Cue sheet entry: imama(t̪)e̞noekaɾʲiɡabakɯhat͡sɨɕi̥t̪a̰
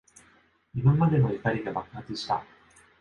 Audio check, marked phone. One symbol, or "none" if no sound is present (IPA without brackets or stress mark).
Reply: d̪